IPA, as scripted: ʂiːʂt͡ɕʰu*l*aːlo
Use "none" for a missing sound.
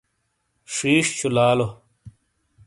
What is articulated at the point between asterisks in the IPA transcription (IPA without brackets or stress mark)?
l